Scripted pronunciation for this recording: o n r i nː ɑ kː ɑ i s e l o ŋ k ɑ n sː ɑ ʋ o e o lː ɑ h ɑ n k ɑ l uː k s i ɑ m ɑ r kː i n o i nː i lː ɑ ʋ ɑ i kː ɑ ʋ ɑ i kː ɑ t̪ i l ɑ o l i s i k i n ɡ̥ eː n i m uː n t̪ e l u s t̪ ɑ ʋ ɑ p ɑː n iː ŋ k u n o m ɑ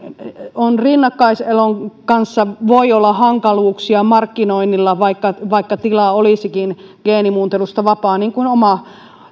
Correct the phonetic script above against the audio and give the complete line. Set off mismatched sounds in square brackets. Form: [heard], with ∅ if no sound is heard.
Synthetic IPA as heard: o n r i nː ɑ kː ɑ i s e l o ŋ k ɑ n sː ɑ ʋ o [i] o lː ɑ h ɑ [ŋ] k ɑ l uː k s i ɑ m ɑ r kː i n o i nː i lː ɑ ʋ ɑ i kː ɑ ʋ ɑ i kː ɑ t̪ i l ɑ o l i s i k i n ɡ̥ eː n i m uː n t̪ e l u s t̪ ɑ ʋ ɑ p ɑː n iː ŋ k u n o m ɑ